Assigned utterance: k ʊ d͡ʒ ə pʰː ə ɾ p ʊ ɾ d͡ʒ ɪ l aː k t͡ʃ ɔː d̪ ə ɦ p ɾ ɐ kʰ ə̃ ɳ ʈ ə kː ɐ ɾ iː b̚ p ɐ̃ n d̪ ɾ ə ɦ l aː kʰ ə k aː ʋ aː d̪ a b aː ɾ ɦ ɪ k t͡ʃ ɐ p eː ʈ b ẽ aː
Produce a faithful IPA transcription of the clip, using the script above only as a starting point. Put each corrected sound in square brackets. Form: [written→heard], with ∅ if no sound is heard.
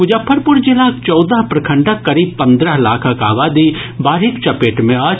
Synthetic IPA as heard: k ʊ d͡ʒ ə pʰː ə ɾ p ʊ ɾ d͡ʒ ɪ l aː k t͡ʃ ɔː d̪ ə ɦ p ɾ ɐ kʰ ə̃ ɳ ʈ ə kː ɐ ɾ iː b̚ p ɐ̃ n d̪ ɾ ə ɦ l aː kʰ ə k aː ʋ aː d̪ [a→i] b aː ɾ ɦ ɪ k t͡ʃ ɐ p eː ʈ [b→m] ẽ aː